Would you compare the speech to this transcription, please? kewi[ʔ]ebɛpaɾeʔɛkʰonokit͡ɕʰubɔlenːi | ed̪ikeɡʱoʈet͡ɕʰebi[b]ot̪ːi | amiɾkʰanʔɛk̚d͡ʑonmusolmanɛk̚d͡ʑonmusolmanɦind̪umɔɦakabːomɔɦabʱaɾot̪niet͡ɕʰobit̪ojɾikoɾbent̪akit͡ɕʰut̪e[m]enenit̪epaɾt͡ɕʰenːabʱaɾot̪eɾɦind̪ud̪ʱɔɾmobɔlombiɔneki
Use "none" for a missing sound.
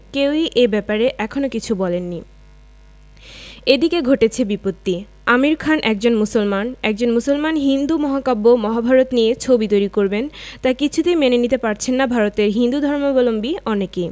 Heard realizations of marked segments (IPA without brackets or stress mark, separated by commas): ʔ, p, m